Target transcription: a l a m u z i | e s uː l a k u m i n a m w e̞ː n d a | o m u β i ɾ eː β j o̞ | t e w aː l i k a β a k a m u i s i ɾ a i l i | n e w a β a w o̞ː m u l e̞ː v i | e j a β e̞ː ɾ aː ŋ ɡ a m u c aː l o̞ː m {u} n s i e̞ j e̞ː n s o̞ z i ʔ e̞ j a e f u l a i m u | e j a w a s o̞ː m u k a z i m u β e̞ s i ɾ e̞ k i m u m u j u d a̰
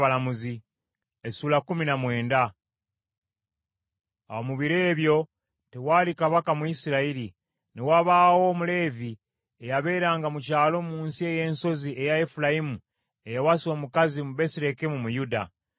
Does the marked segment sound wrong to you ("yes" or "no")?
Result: yes